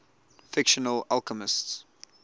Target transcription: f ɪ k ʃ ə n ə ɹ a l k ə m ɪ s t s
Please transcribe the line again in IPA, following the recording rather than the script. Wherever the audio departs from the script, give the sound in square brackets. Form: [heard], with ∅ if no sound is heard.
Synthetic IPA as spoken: f ɪ k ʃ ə n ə [l] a l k ə m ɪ s t s